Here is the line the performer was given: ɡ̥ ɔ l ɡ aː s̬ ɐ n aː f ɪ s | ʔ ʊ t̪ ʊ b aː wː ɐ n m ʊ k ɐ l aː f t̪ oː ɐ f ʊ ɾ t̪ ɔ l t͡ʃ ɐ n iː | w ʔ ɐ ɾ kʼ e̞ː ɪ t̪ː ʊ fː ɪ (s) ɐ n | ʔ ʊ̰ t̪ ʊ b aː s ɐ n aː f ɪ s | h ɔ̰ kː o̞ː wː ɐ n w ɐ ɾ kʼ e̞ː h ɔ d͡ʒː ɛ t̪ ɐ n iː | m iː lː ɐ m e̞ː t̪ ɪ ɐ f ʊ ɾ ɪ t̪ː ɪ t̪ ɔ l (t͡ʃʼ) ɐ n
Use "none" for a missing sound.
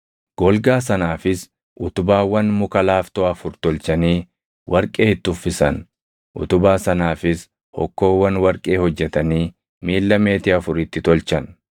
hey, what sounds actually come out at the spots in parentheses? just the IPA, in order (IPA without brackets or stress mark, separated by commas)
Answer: s, t͡ʃ